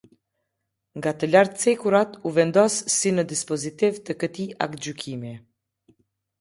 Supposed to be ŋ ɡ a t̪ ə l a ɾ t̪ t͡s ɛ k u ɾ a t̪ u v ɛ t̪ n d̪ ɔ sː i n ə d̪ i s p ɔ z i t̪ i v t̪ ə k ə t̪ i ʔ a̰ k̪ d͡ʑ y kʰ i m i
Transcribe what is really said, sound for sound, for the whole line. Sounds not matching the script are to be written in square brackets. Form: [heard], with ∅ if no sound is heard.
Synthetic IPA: ŋ ɡ a t̪ ə l a ɾ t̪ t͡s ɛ k u ɾ a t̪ u v ɛ [∅] n d̪ ɔ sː i n ə d̪ i s p ɔ z i t̪ i v t̪ ə k ə t̪ i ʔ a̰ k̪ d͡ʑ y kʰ i m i